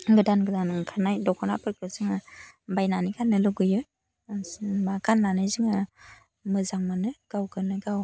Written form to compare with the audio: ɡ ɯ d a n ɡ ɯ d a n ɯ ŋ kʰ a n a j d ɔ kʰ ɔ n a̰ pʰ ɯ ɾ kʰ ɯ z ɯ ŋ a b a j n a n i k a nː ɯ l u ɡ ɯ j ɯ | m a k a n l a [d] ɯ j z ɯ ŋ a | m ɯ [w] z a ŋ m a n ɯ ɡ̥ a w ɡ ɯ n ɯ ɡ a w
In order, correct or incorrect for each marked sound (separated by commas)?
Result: incorrect, incorrect